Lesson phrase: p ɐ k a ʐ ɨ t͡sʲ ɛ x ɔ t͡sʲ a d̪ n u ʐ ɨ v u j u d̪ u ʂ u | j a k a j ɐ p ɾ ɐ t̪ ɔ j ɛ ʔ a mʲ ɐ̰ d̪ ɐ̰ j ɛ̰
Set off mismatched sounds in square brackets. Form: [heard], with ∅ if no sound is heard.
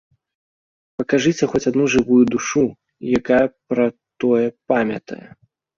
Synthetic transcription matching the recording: p ɐ k a ʐ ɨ t͡sʲ ɛ x ɔ t͡sʲ a d̪ n u ʐ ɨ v u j u d̪ u ʂ u | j a k a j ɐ p ɾ ɐ t̪ ɔ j ɛ [p] a mʲ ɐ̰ [t̪] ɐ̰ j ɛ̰